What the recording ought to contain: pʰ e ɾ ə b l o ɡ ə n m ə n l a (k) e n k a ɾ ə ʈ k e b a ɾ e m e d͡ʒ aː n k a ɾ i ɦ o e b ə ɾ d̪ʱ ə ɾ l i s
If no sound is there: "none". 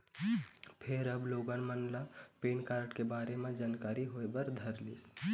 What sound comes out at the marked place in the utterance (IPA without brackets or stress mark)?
p